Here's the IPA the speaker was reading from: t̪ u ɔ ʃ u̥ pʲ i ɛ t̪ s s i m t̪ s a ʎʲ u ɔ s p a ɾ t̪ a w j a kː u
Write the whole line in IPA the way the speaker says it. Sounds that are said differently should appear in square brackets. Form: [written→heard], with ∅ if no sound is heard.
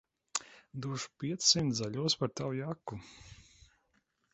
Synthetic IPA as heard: [t̪→d̪] u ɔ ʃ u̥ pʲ i ɛ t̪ s s i m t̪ [s→z] a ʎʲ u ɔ s p a ɾ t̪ a w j a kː u

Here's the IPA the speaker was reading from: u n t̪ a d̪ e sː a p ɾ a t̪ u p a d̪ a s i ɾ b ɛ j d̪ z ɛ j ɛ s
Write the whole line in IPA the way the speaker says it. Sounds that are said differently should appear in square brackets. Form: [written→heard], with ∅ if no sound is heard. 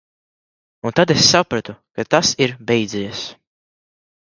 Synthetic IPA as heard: u n t̪ a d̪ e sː a p ɾ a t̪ u [p→k] a [d̪→t̪] a s i ɾ b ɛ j d̪ z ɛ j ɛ s

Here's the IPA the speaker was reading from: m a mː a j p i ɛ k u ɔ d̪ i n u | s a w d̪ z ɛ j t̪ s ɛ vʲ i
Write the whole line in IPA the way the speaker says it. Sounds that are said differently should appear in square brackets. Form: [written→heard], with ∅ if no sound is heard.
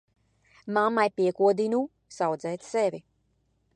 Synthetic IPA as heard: m a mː a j p i ɛ k u ɔ d̪ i n u | s a w d̪ z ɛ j t̪ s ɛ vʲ i

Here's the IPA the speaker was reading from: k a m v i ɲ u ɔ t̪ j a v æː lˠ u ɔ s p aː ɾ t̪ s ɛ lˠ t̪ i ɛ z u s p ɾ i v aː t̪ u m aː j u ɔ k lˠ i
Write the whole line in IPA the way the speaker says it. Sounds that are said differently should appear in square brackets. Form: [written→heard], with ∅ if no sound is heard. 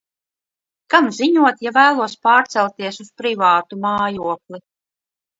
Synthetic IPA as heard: k a m [v→z] i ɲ u ɔ t̪ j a v æː lˠ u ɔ s p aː ɾ t̪ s ɛ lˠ t̪ i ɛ [z→s] u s p ɾ i v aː t̪ u m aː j u ɔ k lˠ i

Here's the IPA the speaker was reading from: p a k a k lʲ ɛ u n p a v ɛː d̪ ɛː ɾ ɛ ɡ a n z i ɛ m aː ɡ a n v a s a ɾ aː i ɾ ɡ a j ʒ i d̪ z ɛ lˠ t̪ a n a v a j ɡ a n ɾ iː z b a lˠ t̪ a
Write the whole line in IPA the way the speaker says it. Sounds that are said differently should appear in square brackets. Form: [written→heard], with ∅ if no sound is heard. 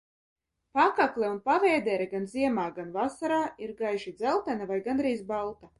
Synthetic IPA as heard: p a k a k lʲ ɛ u n p a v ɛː d̪ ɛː ɾ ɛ ɡ a n z i ɛ m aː ɡ a n v a s a ɾ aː i ɾ ɡ a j ʒ i d̪ z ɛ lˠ t̪ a n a v a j ɡ a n ɾ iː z b a lˠ t̪ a

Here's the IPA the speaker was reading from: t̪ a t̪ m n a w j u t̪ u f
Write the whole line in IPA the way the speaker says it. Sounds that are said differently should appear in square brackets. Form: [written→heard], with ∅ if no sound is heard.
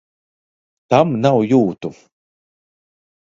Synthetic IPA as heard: t̪ a [t̪→∅] m n a w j [u→uː] t̪ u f

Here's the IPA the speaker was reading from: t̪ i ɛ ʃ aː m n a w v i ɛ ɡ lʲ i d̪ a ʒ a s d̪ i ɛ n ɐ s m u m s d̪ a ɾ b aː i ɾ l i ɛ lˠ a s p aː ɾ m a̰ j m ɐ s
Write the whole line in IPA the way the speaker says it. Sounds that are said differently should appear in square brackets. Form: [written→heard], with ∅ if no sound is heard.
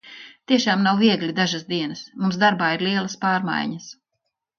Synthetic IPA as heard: t̪ i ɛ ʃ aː m n a w v i ɛ ɡ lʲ i d̪ a ʒ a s d̪ i ɛ n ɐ s m u m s d̪ a ɾ b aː i ɾ l i ɛ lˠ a s p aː ɾ m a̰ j [m→ɲ] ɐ s

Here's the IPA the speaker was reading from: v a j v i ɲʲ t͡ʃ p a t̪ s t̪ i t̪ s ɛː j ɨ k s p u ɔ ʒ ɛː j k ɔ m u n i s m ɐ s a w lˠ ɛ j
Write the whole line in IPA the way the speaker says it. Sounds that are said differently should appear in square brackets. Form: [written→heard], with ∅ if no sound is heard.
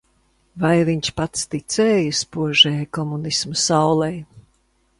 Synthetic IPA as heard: v a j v i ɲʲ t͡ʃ p a t̪ s t̪ i t̪ s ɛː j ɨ [k→∅] s p u ɔ ʒ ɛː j k ɔ m u n i s m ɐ s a w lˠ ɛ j

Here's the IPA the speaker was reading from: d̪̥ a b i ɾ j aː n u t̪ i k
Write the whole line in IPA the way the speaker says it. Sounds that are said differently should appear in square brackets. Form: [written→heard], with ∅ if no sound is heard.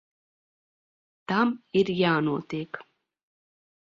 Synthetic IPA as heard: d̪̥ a [b→m] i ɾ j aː n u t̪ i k

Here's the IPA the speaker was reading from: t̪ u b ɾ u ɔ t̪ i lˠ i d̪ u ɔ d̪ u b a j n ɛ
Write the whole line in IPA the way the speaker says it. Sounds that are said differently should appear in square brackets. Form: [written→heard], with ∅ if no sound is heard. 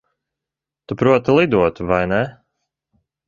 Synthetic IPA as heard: t̪ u [b→p] ɾ u ɔ t̪ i lˠ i d̪ u ɔ [d̪→t̪] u [b→v] a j n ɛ

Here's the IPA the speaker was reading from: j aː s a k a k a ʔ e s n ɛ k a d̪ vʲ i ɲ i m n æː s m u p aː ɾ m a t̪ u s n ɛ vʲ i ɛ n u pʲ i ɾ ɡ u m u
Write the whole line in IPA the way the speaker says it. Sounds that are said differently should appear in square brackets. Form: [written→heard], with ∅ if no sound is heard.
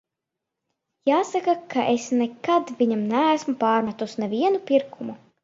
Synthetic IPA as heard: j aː s a k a k a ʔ e s n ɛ k a d̪ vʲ i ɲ [i→a] m n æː s m u p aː ɾ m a t̪ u s n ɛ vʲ i ɛ n u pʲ i ɾ [ɡ→k] u m u

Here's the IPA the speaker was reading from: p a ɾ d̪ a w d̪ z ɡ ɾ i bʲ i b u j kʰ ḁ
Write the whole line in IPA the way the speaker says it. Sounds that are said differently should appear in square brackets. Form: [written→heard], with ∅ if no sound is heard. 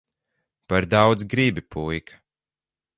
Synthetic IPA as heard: p a ɾ d̪ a w d̪ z ɡ ɾ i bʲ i [b→p] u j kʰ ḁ

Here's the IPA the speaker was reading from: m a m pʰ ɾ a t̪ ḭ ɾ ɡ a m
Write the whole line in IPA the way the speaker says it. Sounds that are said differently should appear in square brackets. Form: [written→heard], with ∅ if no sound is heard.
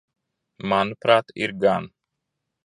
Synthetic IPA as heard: m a [m→n] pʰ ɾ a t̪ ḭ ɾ ɡ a [m→n]

